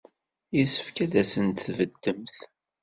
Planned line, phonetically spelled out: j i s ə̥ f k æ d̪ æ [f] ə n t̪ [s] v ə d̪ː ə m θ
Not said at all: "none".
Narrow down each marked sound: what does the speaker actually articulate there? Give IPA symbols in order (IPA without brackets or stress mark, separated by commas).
s, θ